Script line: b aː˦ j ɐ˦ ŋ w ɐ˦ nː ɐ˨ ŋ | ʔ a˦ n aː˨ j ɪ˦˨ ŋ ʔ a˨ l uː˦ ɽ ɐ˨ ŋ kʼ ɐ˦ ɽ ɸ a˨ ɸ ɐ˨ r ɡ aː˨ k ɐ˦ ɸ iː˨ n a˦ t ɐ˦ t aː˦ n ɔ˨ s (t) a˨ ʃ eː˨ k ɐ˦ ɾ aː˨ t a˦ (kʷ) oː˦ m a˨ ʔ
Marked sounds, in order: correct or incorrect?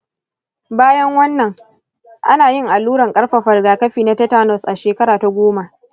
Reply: incorrect, incorrect

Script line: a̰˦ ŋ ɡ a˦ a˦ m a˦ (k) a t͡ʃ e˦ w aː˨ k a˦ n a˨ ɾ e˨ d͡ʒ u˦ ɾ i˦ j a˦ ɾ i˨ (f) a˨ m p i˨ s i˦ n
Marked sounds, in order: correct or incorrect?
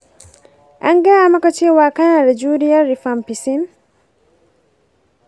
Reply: correct, correct

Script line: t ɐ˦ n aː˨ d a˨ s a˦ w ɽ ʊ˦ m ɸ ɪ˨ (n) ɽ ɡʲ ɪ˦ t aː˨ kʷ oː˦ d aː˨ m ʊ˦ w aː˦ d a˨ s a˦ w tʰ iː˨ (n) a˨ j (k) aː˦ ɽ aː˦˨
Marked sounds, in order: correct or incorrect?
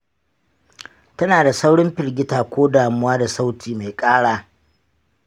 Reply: incorrect, incorrect, incorrect

